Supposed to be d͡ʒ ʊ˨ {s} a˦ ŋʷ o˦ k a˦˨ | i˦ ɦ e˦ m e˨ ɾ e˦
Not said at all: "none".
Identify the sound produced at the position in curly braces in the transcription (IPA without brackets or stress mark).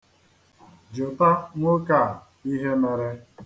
t